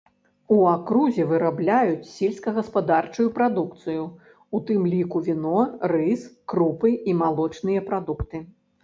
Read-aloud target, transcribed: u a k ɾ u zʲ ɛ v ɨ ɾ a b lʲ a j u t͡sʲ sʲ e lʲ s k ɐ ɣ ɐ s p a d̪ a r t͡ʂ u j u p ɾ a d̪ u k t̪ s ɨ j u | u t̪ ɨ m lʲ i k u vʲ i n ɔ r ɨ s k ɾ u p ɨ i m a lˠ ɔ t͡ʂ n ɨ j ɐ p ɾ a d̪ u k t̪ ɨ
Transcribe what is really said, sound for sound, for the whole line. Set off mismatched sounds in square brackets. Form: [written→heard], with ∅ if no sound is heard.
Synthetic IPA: u a k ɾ u zʲ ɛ v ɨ ɾ a b lʲ a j u t͡sʲ sʲ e lʲ s k ɐ ɣ ɐ s p a d̪ a r t͡ʂ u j u p ɾ a d̪ u k t̪ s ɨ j u | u t̪ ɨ m lʲ i k u vʲ i n ɔ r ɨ s k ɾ u p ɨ i m a lˠ ɔ t͡ʂ n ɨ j ɐ p ɾ a d̪ u k t̪ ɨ